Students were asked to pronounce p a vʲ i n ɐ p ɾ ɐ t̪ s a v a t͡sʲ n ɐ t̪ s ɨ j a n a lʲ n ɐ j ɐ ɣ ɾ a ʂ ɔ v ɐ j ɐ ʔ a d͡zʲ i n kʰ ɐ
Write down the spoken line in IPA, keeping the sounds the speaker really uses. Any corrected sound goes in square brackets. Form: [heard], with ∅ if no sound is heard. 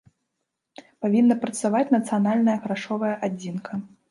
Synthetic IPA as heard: p a vʲ i [nː] ɐ p ɾ ɐ t̪ s a v a t͡sʲ n ɐ t̪ s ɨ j a n a lʲ n ɐ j ɐ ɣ ɾ a ʂ ɔ v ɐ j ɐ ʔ a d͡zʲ i n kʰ ɐ

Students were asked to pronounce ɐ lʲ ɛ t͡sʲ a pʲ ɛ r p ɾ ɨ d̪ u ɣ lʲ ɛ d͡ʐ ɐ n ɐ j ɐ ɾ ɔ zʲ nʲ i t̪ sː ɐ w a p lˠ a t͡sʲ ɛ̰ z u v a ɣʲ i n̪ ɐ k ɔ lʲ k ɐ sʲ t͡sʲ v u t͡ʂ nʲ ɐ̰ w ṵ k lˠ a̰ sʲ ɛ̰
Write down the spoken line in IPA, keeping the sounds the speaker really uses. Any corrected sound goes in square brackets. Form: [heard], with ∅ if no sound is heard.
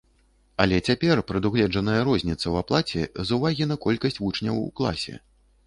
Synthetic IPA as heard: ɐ lʲ ɛ t͡sʲ a pʲ ɛ r p ɾ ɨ d̪ u ɣ lʲ ɛ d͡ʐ ɐ n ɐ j ɐ ɾ ɔ zʲ nʲ i t̪ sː ɐ w a p lˠ a t͡sʲ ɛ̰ z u v a ɣʲ i n̪ ɐ k ɔ lʲ k ɐ sʲ t͡sʲ v u t͡ʂ nʲ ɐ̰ w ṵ k lˠ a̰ sʲ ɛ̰

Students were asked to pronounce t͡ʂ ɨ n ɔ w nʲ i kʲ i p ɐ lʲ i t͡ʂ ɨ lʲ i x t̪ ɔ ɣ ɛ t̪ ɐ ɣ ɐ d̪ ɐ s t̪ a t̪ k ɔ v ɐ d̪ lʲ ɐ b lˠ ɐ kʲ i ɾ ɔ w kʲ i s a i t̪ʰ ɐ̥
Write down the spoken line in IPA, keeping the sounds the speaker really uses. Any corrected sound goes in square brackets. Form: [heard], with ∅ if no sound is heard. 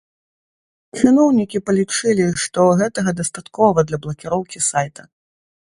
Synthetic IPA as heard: t͡ʂ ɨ n ɔ w nʲ i kʲ i p ɐ lʲ i t͡ʂ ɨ lʲ i [ʂ] t̪ ɔ ɣ ɛ t̪ ɐ ɣ ɐ d̪ ɐ s t̪ a t̪ k ɔ v ɐ d̪ lʲ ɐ b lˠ ɐ kʲ i ɾ ɔ w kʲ i s a [j] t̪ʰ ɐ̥

